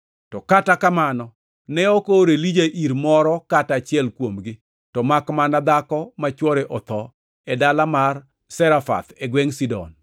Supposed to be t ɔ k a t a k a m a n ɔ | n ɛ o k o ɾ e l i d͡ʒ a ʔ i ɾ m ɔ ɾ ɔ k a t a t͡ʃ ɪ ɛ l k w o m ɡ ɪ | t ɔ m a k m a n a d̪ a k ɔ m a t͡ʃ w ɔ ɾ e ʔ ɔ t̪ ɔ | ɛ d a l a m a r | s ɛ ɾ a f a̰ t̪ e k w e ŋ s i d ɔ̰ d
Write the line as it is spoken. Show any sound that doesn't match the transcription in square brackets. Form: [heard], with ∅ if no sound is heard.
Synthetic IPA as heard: t ɔ k a t a k a m a n ɔ | n ɛ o k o ɾ e l i d͡ʒ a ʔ i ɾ m ɔ ɾ ɔ k a t a t͡ʃ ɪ ɛ l k w o m ɡ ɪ | t ɔ m a k m a n a d̪ a k ɔ m a t͡ʃ w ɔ ɾ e ʔ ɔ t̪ ɔ | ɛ d a l a m a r | s ɛ ɾ a f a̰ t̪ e [ɡ] w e ŋ s i d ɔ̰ [n]